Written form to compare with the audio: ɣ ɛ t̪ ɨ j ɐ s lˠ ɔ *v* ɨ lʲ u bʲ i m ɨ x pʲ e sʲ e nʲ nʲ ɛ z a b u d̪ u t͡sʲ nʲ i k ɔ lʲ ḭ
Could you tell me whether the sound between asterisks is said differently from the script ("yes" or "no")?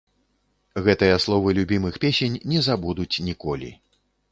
no